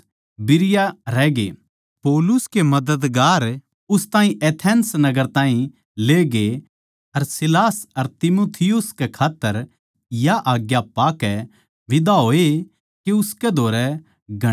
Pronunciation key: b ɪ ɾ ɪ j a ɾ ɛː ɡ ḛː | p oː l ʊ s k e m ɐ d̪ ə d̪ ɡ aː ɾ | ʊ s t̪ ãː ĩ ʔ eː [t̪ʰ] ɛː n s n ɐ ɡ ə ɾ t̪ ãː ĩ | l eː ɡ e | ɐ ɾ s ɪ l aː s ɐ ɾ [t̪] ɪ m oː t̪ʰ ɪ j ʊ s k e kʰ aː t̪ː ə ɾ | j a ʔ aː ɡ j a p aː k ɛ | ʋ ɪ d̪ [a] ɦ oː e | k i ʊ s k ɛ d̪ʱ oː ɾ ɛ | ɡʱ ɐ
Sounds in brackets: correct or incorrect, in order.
correct, correct, correct

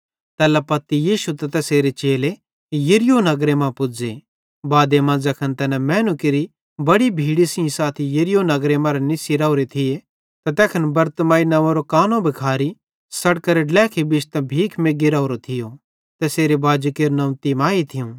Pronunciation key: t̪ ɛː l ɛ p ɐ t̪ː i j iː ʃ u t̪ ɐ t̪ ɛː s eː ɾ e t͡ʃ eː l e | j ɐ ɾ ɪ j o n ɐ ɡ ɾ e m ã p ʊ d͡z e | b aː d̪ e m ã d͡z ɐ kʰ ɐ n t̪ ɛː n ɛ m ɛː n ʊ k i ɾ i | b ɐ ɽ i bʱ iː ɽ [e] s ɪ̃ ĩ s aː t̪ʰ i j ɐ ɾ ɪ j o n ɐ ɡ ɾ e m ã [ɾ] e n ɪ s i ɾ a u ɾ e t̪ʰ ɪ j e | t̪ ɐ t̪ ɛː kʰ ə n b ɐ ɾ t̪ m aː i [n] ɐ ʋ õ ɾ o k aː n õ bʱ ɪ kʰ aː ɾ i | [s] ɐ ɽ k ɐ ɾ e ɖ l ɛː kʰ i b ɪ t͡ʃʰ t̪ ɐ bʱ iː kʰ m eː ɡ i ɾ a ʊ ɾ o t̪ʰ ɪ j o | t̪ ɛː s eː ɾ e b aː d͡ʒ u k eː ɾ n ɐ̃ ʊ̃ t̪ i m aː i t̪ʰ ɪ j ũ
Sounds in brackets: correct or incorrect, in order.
incorrect: i, correct, correct, correct

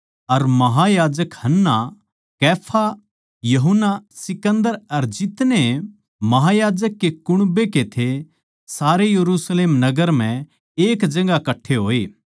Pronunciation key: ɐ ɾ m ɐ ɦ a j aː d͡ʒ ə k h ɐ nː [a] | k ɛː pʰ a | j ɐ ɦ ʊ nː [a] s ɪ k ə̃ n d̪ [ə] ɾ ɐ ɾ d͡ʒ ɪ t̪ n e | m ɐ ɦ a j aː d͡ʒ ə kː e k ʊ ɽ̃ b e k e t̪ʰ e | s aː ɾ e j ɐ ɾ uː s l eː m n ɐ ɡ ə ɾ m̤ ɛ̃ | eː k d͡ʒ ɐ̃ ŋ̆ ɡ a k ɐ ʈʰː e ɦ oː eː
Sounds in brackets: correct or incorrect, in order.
correct, correct, correct

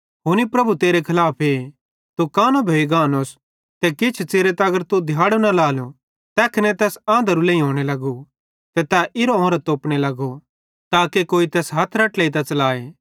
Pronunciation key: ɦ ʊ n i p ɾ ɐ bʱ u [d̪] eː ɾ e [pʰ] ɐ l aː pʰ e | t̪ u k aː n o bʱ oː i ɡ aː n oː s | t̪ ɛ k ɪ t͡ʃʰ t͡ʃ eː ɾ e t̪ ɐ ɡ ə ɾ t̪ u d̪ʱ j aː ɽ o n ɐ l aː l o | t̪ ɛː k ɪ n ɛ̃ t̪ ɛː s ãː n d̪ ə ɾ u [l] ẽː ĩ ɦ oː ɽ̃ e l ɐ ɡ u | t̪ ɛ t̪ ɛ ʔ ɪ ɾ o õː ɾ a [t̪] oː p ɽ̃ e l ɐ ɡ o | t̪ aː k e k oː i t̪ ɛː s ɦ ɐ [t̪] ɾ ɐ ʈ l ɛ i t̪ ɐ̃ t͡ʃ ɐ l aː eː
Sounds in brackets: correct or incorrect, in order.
incorrect: t̪, incorrect: kʰ, correct, correct, incorrect: t̪ʰ

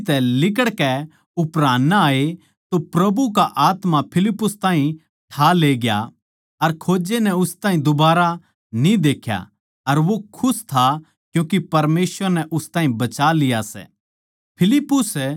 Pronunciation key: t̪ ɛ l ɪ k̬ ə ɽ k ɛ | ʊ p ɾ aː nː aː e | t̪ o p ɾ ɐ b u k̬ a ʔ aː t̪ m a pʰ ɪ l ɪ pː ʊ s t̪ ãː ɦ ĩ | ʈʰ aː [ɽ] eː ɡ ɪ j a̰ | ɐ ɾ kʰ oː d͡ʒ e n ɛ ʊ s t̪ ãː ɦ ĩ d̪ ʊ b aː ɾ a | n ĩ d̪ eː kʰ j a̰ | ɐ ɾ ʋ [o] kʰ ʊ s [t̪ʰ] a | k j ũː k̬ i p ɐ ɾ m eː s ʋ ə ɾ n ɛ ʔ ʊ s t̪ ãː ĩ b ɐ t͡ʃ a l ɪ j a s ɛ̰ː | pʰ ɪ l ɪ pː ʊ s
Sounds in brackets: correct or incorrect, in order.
incorrect: l, correct, correct

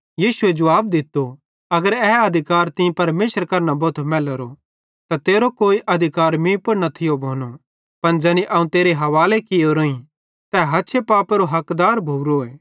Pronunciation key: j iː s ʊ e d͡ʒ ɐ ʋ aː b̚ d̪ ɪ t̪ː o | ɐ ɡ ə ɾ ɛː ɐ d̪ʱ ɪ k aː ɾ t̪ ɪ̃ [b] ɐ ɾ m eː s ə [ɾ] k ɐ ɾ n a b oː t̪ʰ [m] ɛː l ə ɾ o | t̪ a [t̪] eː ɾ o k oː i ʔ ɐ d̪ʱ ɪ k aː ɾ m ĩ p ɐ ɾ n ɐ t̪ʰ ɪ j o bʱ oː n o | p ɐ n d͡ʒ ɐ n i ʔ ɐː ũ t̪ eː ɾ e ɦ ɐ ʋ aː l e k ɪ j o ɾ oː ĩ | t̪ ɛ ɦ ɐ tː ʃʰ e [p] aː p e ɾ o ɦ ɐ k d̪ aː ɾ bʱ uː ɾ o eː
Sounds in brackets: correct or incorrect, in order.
incorrect: p, correct, correct, correct, correct

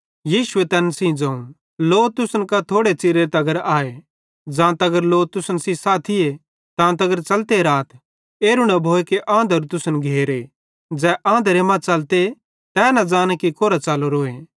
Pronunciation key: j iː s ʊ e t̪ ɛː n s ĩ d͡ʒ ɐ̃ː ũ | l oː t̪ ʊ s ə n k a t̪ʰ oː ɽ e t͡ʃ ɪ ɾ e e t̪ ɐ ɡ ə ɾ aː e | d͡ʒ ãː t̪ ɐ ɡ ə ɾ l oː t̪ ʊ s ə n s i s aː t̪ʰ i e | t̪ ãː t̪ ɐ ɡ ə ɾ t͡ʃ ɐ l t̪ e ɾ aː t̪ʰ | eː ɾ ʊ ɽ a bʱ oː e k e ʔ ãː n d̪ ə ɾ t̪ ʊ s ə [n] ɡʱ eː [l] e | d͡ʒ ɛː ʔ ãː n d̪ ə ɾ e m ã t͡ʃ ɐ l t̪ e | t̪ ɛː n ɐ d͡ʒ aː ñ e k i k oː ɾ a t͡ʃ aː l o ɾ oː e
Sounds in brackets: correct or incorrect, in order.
correct, incorrect: ɾ

